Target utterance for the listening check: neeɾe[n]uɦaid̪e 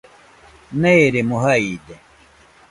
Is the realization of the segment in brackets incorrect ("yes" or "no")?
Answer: yes